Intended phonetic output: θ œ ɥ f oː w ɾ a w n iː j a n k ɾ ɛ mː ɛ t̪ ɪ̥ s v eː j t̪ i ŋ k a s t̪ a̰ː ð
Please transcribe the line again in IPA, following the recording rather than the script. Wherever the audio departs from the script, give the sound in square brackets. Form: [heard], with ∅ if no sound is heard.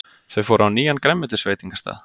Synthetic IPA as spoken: θ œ ɥ f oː w ɾ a w n iː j a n k ɾ ɛ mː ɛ t̪ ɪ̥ s v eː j t̪ i ŋ k a s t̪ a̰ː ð